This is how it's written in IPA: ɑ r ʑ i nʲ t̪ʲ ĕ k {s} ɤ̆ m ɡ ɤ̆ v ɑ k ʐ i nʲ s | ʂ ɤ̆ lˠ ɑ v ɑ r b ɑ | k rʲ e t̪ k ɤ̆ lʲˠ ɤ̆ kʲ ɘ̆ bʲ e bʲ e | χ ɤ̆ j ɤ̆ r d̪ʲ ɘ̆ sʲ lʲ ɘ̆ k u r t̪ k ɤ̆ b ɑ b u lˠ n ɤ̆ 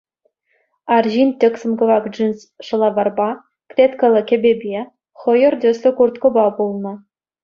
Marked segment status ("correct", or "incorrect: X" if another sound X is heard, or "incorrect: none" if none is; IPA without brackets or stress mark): correct